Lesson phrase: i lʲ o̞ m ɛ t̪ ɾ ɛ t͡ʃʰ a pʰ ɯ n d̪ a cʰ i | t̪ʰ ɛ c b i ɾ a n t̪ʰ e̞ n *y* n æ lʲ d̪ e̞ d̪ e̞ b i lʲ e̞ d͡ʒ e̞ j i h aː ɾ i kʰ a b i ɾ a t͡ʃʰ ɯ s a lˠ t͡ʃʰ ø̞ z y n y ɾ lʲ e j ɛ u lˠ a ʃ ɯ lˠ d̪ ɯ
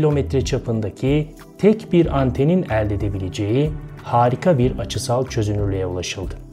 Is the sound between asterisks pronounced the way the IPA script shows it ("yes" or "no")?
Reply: no